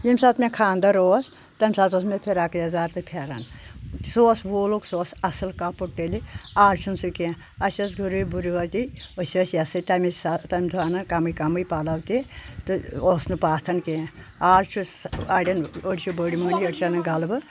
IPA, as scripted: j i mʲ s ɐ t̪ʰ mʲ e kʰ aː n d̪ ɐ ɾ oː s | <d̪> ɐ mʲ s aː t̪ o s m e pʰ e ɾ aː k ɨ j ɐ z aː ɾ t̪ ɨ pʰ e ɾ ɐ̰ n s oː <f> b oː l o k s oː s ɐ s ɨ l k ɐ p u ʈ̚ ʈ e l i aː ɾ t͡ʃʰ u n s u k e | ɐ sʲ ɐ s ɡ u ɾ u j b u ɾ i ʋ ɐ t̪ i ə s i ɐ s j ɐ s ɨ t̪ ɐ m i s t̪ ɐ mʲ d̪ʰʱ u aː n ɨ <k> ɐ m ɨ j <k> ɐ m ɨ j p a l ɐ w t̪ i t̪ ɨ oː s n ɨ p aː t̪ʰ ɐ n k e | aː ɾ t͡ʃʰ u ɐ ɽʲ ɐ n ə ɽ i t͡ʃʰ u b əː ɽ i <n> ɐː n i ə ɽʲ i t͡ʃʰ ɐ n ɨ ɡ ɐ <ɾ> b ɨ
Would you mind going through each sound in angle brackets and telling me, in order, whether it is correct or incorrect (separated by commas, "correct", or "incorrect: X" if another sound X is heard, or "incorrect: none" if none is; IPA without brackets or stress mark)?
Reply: incorrect: t̪, incorrect: s, correct, correct, incorrect: m, incorrect: l